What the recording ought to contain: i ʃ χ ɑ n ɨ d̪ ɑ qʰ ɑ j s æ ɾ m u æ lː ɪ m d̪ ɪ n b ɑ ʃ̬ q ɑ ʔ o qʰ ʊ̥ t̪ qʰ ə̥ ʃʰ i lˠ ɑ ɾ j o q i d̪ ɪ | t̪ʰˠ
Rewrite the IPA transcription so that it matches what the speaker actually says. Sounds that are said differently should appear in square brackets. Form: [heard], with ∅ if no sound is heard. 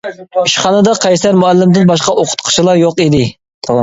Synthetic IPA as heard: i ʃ χ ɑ n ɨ d̪ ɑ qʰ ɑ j s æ ɾ m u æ lː ɪ m d̪ ɪ n b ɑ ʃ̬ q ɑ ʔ o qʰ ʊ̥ t̪ qʰ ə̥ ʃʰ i lˠ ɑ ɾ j o q i d̪ ɪ | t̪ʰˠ